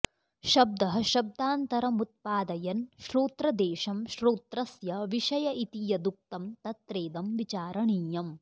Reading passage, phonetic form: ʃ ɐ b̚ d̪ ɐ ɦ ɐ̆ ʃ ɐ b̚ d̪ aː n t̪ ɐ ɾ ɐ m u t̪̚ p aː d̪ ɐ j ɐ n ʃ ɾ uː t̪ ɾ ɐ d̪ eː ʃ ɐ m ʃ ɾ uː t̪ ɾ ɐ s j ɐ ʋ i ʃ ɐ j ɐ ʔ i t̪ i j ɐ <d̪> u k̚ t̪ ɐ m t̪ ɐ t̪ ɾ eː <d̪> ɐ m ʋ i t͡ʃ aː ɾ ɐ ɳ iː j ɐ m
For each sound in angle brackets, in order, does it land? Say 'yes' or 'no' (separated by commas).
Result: yes, yes